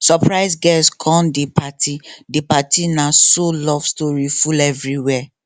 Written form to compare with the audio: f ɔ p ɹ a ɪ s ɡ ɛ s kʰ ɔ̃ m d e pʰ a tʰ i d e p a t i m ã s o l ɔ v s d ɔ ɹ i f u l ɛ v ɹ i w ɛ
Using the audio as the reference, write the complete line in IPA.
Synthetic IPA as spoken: s ɔ p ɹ a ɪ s ɡ ɛ s kʰ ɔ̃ n d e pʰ a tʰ i d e p a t i n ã s o l ɔ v s t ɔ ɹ i f u l ɛ v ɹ i w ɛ